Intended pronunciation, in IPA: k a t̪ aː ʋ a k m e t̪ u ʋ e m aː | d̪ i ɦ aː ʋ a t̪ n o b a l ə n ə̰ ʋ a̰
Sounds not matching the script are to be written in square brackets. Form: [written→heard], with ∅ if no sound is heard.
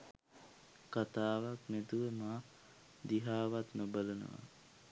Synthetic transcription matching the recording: k a t̪ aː ʋ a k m e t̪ u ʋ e m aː | d̪ i ɦ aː ʋ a t̪ n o b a l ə n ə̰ ʋ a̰